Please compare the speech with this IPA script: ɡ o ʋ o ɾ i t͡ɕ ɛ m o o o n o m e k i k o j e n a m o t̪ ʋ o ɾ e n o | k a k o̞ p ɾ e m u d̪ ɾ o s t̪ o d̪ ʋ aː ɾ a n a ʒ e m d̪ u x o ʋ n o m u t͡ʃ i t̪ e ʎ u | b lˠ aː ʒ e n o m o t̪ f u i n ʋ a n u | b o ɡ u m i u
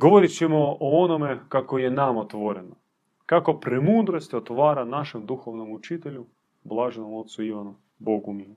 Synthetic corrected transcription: ɡ o ʋ o ɾ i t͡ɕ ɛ m o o o n o m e k a k o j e n a m o t̪ ʋ o ɾ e n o | k a k o̞ p ɾ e m u d̪ ɾ o s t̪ o t̪ ʋ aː ɾ a n a ʃ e m d̪ u x o ʋ n o m u t͡ʃ i t̪ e ʎ u | b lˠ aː ʒ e n o m o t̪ s u i ʋ a n u | b o ɡ u m i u